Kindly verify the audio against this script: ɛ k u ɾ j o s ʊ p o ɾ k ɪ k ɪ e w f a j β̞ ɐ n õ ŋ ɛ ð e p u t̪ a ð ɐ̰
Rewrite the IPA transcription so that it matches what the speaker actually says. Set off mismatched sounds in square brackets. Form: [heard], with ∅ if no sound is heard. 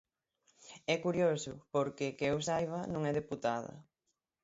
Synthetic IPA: ɛ k u ɾ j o s ʊ p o ɾ k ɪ k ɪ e w [s] a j β̞ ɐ n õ ŋ ɛ ð e p u t̪ a ð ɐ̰